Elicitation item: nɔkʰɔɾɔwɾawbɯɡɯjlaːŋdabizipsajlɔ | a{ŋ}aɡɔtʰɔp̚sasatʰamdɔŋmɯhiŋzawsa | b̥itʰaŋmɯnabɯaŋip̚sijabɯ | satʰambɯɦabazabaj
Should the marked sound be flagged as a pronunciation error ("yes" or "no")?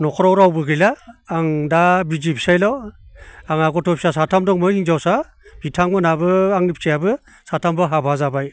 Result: no